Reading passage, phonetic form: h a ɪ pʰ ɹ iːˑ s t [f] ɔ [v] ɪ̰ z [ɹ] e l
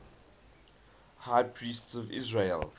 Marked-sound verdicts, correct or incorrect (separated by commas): incorrect, correct, correct